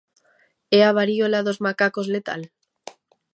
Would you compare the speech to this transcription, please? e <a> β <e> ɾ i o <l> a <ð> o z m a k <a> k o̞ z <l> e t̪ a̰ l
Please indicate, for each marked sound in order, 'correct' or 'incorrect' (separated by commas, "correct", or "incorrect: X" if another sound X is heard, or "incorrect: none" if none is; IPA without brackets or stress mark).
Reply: correct, incorrect: a, correct, correct, correct, correct